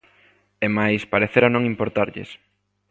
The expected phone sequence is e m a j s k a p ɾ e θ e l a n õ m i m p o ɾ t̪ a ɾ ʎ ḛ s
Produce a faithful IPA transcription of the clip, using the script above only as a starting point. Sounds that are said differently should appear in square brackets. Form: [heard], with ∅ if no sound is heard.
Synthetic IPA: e m a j s [p] a [∅] ɾ e θ e [ɾ] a n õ [ŋ] i m p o ɾ t̪ a ɾ ʎ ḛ s